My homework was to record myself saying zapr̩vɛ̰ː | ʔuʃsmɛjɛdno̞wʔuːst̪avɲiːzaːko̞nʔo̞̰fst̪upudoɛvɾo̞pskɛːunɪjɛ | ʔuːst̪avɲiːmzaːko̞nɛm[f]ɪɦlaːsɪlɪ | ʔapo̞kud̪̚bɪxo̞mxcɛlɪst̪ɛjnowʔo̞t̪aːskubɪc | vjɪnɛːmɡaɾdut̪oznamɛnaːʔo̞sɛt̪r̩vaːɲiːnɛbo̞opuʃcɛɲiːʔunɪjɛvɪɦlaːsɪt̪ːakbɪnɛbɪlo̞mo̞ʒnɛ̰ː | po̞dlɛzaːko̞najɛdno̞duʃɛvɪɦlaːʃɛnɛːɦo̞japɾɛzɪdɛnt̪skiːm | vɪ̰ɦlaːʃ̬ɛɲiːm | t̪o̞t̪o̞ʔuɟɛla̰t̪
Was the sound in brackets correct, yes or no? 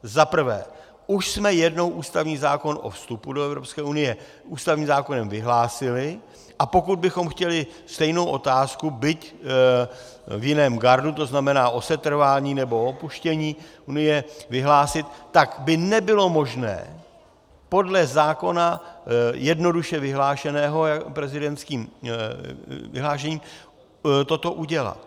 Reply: no